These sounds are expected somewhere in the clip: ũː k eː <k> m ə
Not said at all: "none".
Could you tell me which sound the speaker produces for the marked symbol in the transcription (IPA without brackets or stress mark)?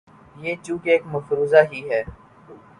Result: k